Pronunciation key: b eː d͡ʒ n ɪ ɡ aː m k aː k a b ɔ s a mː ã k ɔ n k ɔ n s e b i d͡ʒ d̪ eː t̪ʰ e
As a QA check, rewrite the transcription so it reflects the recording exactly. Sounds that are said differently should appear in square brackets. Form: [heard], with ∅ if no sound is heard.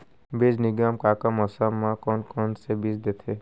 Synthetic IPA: b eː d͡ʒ n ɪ ɡ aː m k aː k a [m] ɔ s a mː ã k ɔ n k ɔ n s e b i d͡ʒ d̪ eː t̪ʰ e